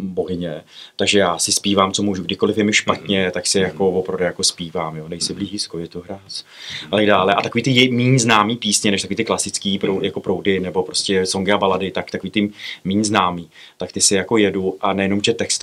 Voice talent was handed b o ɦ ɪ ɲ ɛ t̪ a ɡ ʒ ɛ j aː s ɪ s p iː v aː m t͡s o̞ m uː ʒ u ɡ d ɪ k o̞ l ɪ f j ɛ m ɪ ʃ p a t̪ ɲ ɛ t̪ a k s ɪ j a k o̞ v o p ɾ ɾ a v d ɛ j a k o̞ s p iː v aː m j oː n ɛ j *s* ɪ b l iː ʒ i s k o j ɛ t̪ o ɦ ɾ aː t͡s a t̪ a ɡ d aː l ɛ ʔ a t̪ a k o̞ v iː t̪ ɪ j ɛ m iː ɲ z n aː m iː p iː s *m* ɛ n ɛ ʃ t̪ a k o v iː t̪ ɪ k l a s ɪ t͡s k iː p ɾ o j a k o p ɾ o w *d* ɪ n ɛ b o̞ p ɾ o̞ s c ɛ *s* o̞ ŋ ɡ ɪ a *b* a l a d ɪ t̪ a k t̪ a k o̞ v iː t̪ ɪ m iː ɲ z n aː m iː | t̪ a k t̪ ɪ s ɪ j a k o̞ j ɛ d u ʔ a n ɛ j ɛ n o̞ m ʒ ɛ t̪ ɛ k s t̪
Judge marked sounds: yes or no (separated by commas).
yes, no, yes, yes, yes